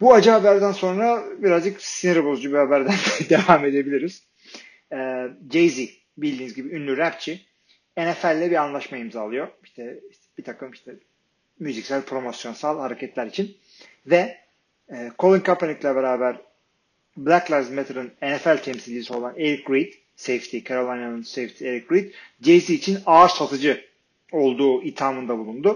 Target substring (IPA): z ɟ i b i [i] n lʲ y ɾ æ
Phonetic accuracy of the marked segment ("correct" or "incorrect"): incorrect